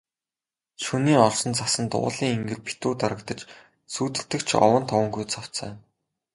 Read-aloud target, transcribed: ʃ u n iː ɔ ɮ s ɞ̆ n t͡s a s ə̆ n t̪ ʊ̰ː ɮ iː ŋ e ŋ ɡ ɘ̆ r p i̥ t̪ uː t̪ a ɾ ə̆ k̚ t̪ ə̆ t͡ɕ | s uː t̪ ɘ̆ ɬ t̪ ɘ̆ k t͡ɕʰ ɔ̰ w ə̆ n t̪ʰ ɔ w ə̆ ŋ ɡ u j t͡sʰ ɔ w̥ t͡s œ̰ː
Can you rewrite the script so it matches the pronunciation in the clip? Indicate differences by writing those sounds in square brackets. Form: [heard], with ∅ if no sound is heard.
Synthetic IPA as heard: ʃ u n iː ɔ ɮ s ɞ̆ n t͡s a s ə̆ n t̪ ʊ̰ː ɮ iː ŋ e ŋ ɡ ɘ̆ r p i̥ t̪ uː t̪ a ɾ ə̆ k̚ t̪ ə̆ t͡ɕ | s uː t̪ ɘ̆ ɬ t̪ ɘ̆ k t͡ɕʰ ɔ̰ w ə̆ n t̪ʰ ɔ w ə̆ ŋ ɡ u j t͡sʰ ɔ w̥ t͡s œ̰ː

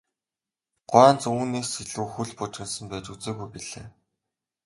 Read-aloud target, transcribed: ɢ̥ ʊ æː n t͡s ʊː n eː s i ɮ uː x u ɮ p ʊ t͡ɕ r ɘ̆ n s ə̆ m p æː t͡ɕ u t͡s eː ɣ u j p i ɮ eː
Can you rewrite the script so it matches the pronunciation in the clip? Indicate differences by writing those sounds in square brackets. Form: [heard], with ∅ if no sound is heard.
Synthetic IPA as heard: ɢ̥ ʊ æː n t͡s [uː] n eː s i ɮ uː x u ɮ p ʊ t͡ɕ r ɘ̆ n s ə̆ m p æː t͡ɕ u t͡s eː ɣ u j p i ɮ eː

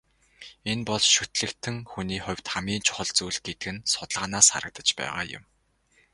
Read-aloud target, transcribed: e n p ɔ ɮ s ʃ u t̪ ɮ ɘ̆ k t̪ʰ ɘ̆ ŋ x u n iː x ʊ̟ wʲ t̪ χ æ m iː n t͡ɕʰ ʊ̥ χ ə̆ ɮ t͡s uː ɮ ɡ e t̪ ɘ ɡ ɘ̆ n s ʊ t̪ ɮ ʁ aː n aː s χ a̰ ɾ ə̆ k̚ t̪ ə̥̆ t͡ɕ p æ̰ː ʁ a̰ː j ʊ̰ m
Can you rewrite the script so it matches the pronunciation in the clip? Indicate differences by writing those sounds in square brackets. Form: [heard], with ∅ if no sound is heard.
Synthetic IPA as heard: e n p ɔ ɮ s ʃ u t̪ ɮ ɘ̆ k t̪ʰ ɘ̆ ŋ x u n iː [χ] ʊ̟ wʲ t̪ χ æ m iː n t͡ɕʰ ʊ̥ χ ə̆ ɮ t͡s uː ɮ ɡ e t̪ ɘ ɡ ɘ̆ n s ʊ t̪ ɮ ʁ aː n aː s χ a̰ ɾ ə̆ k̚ t̪ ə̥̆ t͡ɕ p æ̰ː ʁ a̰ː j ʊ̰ m

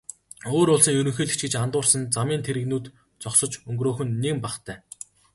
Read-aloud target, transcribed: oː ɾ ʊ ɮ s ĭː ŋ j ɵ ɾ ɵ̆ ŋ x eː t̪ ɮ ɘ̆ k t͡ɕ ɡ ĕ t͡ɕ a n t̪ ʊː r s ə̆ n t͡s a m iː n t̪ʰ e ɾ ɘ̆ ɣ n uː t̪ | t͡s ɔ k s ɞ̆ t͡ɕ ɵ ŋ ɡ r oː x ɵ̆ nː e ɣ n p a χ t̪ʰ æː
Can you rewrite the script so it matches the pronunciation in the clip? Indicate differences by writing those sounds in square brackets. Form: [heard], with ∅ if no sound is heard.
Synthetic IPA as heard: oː ɾ ʊ ɮ s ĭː ŋ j ɵ ɾ ɵ̆ ŋ x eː [∅] ɮ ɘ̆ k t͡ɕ ɡ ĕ t͡ɕ a n t̪ ʊː r s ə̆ n t͡s a m iː n t̪ʰ e ɾ ɘ̆ ɣ n uː t̪ | t͡s ɔ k s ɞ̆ t͡ɕ ɵ ŋ ɡ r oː x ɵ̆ nː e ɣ [m] p a χ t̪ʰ æː

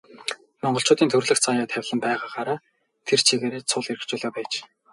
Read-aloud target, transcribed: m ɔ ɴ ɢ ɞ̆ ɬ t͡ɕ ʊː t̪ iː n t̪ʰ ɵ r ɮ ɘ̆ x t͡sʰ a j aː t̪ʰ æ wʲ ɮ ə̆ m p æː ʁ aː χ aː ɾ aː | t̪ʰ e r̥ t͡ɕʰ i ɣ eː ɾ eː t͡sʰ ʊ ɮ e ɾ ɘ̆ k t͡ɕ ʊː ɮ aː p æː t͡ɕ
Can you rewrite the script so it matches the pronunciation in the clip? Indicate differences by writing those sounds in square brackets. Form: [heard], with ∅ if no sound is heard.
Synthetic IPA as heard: m ɔ ɴ ɢ ɞ̆ ɬ t͡ɕ ʊː t̪ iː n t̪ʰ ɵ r ɮ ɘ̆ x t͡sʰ a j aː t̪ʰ æ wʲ ɮ ə̆ m p æː ʁ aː χ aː ɾ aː | t̪ʰ e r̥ t͡ɕʰ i ɣ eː ɾ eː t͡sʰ ʊ ɮ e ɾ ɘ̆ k t͡ɕ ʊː ɮ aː p æː t͡ɕ

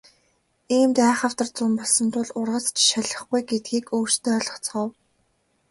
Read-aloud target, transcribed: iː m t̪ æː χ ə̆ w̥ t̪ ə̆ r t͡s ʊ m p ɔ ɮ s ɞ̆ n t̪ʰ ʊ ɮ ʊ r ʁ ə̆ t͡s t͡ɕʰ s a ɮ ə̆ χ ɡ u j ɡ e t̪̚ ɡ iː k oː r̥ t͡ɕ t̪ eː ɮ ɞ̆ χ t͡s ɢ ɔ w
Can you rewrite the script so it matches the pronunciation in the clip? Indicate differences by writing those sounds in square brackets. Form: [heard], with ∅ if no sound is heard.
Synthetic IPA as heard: iː m t̪ æː χ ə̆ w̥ t̪ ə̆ r t͡s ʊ m p ɔ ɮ s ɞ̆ n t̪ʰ ʊ ɮ ʊ r ʁ ə̆ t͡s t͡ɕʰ [ʃ] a ɮ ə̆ χ ɡ u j ɡ e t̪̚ ɡ iː k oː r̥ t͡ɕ t̪ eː ɮ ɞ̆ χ t͡s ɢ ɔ w

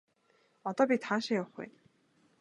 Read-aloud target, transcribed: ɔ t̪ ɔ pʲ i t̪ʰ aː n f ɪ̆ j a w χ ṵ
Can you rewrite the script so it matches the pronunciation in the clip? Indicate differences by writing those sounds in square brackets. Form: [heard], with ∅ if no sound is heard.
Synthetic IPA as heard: ɔ t̪ [ɔː] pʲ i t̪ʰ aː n [ʃ] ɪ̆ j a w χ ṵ

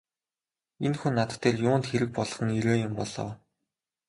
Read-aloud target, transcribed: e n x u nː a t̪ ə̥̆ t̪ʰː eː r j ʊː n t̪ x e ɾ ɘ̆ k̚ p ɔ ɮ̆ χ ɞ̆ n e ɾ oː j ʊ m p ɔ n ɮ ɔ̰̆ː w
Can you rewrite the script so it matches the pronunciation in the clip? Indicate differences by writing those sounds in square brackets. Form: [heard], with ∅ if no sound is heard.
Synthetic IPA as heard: e n x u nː a t̪ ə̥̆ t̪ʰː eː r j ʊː n t̪ x e ɾ ɘ̆ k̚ p ɔ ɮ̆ χ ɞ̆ n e ɾ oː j ʊ m p ɔ [∅] ɮ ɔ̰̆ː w

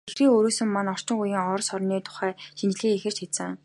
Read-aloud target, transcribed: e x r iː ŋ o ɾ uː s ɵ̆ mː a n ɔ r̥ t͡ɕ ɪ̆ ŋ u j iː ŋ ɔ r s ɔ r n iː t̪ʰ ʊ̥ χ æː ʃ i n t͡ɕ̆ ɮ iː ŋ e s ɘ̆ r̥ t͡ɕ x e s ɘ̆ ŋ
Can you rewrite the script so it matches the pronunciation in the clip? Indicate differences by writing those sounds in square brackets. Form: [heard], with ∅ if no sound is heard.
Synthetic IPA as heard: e x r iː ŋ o ɾ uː s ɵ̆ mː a n ɔ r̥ t͡ɕ ɪ̆ ŋ u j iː ŋ ɔ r s ɔ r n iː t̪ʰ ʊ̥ χ æː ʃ i n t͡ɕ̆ ɮ iː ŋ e [x] ɘ̆ r̥ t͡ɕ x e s ɘ̆ ŋ

